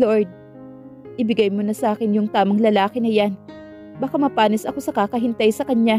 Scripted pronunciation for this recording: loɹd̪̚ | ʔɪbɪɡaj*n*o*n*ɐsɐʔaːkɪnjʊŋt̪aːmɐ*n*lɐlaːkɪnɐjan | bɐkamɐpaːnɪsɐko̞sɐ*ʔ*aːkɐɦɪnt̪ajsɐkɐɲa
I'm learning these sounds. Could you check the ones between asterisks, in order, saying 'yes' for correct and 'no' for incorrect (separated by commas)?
no, yes, no, no